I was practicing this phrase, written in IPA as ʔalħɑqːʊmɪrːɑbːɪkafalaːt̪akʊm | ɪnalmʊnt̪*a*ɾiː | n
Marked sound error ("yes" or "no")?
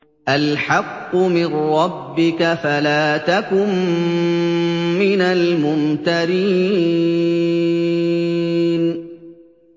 no